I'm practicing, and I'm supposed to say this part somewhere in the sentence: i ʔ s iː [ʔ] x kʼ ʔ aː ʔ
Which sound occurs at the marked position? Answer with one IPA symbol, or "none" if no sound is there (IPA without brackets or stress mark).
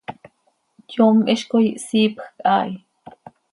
p